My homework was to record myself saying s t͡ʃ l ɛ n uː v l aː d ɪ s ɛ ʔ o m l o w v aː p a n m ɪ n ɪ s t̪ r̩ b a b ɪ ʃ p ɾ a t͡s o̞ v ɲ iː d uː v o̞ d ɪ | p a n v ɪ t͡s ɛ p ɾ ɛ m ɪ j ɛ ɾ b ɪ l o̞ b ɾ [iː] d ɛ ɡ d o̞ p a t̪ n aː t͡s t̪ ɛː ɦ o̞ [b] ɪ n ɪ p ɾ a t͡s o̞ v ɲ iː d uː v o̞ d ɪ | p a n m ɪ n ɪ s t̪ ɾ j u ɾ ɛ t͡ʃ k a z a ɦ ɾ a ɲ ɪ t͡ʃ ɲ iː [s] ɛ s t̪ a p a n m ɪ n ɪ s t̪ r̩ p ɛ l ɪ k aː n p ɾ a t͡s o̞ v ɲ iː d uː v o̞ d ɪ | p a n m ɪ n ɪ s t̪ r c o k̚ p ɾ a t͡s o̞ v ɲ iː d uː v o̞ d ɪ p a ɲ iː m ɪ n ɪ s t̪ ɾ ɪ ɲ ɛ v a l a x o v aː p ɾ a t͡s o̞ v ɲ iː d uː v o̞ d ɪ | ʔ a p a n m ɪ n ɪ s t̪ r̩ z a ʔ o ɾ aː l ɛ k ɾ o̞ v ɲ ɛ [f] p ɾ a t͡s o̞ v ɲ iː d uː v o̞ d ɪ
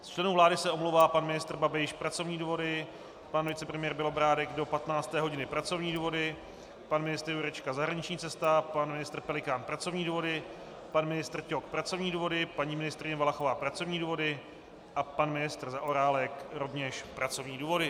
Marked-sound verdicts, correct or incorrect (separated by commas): incorrect, incorrect, incorrect, incorrect